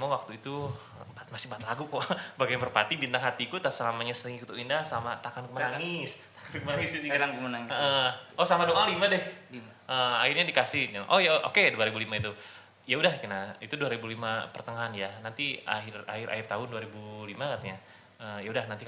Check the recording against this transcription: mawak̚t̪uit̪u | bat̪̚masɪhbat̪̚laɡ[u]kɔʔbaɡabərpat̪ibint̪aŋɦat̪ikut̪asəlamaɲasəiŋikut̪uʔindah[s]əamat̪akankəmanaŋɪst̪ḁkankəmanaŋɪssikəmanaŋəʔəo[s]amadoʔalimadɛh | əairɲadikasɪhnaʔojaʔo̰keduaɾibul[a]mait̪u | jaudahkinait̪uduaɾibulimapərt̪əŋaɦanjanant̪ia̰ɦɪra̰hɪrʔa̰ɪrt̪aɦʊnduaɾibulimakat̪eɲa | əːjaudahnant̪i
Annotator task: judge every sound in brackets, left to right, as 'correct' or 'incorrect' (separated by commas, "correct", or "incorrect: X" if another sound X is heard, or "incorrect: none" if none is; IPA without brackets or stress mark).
correct, correct, correct, incorrect: i